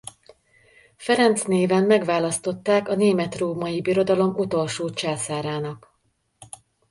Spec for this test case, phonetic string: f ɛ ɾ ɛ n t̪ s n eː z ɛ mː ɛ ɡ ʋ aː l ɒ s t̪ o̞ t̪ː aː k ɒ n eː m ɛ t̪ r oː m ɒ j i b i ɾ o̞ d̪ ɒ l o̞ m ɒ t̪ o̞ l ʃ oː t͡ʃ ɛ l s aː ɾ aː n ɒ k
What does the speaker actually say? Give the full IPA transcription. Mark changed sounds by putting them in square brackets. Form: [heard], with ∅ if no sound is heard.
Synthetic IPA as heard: f ɛ ɾ ɛ n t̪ s n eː [v] ɛ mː ɛ ɡ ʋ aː l ɒ s t̪ o̞ t̪ː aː k ɒ n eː m ɛ t̪ r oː m ɒ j i b i ɾ o̞ d̪ ɒ l o̞ m [u] t̪ o̞ l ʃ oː t͡ʃ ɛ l s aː ɾ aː n ɒ k